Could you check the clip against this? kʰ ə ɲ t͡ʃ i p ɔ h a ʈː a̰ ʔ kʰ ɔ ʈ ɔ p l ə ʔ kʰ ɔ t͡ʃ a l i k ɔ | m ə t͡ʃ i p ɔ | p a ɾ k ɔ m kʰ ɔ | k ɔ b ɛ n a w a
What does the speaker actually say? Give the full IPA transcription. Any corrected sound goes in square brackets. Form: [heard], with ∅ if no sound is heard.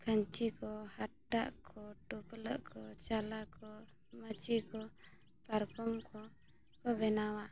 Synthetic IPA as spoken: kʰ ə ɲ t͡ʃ i [k] ɔ h a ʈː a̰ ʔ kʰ ɔ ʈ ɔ p l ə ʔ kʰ ɔ t͡ʃ a l [a] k ɔ | m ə t͡ʃ i [k] ɔ | p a ɾ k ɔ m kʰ ɔ | k ɔ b ɛ n a w a